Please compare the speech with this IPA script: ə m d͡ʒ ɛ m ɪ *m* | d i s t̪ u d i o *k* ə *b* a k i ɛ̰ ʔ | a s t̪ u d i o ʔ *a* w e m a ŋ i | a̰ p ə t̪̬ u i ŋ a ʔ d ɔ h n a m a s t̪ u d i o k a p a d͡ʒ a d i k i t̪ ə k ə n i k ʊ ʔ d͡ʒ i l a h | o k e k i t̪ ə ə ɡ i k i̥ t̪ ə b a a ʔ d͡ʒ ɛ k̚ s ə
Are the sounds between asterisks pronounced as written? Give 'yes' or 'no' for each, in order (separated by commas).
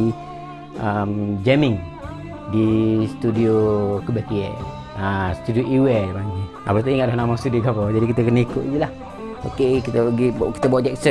no, yes, yes, no